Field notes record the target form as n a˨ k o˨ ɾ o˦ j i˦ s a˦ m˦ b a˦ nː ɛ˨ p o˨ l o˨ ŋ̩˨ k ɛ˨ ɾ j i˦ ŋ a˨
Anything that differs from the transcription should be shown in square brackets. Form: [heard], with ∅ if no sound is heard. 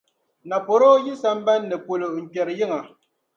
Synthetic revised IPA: n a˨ [p] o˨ ɾ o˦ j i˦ s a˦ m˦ b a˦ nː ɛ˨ p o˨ l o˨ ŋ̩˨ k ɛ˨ ɾ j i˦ ŋ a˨